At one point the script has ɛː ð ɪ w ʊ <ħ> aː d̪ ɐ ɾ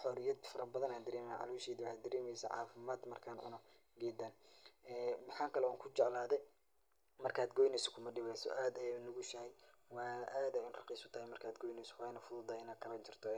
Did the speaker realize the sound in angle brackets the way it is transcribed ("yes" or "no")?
yes